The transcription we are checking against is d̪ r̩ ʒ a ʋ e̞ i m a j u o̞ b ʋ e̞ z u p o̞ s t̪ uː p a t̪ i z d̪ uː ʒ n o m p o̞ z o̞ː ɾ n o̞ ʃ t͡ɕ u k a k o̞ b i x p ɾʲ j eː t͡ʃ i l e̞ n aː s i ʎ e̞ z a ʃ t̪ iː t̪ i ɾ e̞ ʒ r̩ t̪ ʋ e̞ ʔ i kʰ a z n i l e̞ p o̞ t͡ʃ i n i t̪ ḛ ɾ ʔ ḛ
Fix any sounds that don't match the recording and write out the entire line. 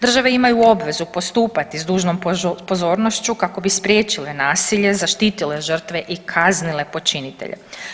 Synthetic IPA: d̪ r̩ ʒ a ʋ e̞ i m a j u o̞ b ʋ e̞ z u p o̞ s t̪ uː p a t̪ i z d̪ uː ʒ n o m p o̞ z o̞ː ɾ n o̞ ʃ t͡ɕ u k a k o̞ b i s p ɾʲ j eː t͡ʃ i l e̞ n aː s i ʎ e̞ z a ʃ t̪ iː t̪ i l e̞ ʒ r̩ t̪ ʋ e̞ ʔ i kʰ a z n i l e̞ p o̞ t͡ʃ i n i t̪ ḛ ʎ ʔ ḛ